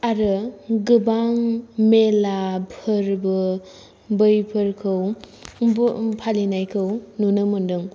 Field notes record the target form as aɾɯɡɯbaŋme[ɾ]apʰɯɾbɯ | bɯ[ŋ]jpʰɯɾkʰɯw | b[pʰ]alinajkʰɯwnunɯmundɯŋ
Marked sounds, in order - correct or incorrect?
incorrect: l, incorrect: none, correct

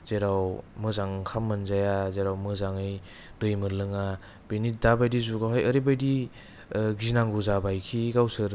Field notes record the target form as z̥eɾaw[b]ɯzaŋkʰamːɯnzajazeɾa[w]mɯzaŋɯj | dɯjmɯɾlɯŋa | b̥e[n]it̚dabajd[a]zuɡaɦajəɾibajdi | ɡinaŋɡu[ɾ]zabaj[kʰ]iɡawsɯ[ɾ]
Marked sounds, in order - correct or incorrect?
incorrect: m, correct, correct, incorrect: i, incorrect: none, correct, correct

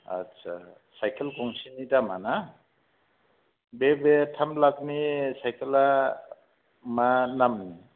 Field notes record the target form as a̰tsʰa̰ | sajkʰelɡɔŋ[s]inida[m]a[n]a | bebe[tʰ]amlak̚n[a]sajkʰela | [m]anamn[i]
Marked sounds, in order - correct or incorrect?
correct, correct, correct, correct, incorrect: i, correct, correct

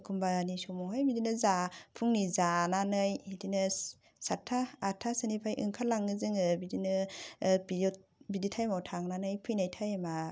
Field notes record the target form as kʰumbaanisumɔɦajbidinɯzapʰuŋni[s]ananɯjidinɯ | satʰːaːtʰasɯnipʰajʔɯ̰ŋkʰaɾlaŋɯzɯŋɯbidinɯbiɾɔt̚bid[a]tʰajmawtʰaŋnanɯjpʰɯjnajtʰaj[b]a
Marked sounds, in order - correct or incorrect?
incorrect: z, incorrect: i, incorrect: m

